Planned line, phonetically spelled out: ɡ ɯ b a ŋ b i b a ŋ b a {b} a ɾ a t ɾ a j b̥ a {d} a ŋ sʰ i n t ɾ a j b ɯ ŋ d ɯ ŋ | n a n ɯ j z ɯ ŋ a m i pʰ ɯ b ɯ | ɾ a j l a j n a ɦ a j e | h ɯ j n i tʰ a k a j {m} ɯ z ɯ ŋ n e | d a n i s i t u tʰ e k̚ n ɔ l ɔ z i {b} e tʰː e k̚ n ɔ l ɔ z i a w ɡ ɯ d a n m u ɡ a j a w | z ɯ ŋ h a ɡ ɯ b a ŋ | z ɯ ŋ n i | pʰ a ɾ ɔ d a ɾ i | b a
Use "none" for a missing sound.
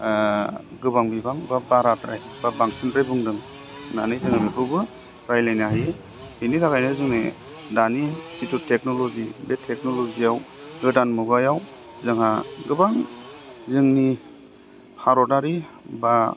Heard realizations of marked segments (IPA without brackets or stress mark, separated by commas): b, b, n, b